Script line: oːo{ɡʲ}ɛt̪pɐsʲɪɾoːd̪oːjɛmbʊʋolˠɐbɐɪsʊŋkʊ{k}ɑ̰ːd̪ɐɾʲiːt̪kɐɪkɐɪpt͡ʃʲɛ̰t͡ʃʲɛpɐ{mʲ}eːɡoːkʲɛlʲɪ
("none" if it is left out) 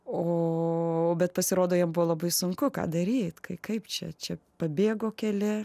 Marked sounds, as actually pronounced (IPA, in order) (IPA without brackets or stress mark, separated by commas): bʲ, k, bʲ